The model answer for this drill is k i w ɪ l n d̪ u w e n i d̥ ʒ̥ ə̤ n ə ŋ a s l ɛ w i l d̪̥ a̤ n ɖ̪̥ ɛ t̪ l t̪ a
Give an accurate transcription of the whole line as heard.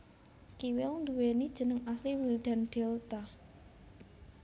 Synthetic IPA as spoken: k i w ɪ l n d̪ u w e n i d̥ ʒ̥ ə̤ n ə ŋ a s l i w i l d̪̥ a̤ n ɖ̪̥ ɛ l t̪ a